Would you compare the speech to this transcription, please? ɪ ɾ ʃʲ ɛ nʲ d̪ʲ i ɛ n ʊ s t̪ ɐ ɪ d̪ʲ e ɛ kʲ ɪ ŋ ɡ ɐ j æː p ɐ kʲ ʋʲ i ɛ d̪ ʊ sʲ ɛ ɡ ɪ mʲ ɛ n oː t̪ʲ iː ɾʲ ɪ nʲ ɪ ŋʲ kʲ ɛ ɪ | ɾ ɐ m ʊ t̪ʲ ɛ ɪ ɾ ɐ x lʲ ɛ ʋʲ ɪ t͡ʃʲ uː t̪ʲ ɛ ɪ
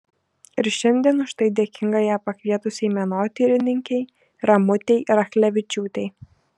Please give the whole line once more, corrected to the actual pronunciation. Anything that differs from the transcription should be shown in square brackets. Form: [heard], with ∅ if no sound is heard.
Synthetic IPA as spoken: ɪ ɾ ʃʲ ɛ nʲ d̪ʲ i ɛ n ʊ [ʃ] t̪ ɐ ɪ d̪ʲ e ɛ kʲ ɪ ŋ ɡ ɐ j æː p ɐ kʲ ʋʲ i ɛ [t̪] ʊ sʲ ɛ [∅] ɪ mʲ ɛ n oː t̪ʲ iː ɾʲ ɪ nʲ ɪ ŋʲ kʲ ɛ ɪ | ɾ ɐ m ʊ t̪ʲ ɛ ɪ ɾ ɐ x lʲ ɛ ʋʲ ɪ t͡ʃʲ uː t̪ʲ ɛ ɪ